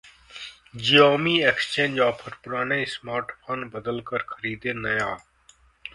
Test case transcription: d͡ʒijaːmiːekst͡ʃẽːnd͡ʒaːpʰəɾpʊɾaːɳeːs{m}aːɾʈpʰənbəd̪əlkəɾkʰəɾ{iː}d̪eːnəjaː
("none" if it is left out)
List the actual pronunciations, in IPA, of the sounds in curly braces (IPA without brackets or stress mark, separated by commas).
m, iː